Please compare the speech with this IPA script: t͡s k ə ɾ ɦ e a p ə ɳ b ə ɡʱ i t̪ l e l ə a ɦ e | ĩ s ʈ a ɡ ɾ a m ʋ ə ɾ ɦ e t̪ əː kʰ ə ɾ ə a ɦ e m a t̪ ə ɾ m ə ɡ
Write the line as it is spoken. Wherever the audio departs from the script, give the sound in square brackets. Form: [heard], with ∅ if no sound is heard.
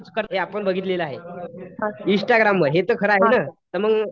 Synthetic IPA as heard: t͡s k ə ɾ ɦ e a p ə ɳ b ə ɡʱ i t̪ l e l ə a ɦ e | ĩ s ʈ a ɡ ɾ a m ʋ ə ɾ ɦ e t̪ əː kʰ ə ɾ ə a ɦ e [n] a t̪ ə ɾ m ə ɡ